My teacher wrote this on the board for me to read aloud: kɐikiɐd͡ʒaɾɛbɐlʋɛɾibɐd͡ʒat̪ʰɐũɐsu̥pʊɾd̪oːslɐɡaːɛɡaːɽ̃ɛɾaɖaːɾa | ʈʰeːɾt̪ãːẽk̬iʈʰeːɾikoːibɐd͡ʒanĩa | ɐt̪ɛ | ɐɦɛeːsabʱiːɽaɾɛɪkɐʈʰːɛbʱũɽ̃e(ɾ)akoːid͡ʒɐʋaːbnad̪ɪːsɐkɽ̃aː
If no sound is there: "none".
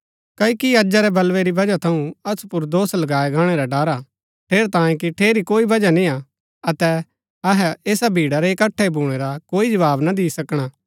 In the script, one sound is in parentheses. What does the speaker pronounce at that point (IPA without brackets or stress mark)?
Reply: ɾ